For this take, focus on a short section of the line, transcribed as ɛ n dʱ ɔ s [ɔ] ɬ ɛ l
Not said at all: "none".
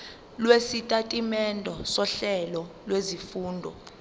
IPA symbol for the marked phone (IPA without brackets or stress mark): ɔ